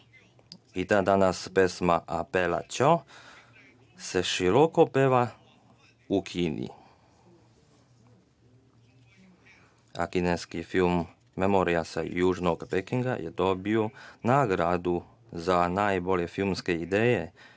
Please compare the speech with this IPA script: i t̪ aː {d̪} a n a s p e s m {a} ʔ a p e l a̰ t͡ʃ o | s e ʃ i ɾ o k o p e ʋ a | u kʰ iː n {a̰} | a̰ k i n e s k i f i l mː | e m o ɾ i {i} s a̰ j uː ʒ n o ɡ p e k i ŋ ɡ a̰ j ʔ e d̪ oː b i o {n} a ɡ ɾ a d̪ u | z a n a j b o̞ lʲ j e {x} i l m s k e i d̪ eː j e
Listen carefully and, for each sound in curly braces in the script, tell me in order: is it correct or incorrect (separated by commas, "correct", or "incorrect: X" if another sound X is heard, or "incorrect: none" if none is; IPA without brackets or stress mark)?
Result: correct, correct, incorrect: ḭ, incorrect: a, correct, incorrect: f